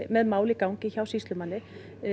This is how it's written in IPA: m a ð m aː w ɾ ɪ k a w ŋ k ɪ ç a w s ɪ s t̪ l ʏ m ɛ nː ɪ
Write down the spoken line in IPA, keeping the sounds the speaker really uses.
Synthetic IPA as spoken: m ɛ ð m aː w l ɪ k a w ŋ c ɪ ç a w s i s t̪ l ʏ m a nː ɪ